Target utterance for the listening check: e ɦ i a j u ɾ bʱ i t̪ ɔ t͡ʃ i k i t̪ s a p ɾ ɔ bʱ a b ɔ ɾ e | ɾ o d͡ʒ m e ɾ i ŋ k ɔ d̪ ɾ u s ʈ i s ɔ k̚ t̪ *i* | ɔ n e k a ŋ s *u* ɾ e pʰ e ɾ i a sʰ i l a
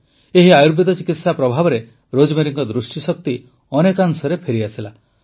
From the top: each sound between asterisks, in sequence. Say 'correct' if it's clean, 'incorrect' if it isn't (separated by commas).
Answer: correct, incorrect